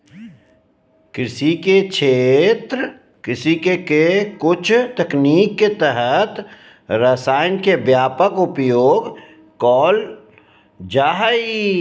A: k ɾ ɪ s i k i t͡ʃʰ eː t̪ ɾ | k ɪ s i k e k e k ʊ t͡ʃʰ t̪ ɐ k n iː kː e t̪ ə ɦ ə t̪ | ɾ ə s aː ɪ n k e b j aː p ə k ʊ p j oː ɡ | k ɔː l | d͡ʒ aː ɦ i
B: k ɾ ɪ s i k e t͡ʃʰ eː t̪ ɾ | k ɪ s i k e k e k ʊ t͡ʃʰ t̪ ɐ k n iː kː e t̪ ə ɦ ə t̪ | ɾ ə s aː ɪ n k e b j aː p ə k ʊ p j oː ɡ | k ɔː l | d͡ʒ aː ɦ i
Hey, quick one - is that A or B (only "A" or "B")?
B